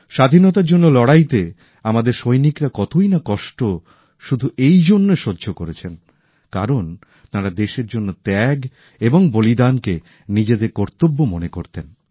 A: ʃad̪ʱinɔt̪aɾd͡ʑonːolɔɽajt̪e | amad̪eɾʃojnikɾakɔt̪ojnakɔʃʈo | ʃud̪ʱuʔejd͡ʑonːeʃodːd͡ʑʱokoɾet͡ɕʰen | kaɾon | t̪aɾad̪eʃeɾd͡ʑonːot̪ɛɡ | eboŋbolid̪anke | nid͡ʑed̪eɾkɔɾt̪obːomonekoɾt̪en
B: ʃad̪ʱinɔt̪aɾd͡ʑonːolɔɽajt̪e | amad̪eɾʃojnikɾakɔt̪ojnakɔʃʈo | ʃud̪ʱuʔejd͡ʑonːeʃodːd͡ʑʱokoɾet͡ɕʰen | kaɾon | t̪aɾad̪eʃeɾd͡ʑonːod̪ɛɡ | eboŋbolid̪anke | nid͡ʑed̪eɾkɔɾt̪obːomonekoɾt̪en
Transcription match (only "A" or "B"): A